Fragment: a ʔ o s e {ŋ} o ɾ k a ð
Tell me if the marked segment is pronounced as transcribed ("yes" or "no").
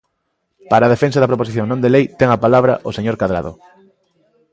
no